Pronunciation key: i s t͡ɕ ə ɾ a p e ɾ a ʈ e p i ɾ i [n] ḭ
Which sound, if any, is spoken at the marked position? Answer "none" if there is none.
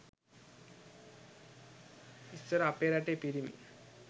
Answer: m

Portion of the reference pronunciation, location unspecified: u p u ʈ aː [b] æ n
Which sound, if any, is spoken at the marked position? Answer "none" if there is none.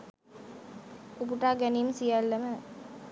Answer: ɡ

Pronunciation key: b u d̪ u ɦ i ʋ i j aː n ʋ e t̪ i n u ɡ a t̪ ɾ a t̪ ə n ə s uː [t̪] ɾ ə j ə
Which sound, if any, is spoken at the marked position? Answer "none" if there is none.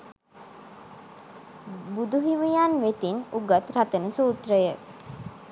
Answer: t̪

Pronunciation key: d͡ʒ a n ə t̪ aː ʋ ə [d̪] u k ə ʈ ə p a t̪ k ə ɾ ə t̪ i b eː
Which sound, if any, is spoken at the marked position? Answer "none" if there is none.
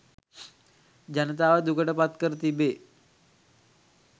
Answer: d̪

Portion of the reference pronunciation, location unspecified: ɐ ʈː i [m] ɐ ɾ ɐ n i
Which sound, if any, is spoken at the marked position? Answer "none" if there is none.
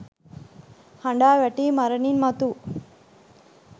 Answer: m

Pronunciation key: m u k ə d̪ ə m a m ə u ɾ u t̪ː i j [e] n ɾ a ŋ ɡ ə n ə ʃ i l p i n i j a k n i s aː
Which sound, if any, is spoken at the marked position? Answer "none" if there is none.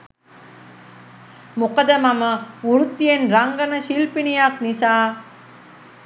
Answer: e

